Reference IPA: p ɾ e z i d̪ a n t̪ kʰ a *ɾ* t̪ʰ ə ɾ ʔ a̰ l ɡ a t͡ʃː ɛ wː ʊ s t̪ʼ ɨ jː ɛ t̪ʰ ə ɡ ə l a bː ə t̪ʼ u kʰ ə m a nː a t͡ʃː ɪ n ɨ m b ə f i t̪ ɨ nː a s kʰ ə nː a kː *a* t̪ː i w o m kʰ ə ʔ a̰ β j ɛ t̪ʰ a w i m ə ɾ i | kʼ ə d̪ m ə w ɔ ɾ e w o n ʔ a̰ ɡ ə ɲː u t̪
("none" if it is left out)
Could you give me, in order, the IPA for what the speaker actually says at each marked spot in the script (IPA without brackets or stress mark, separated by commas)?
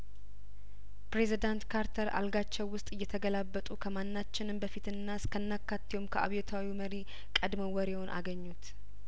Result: ɾ, a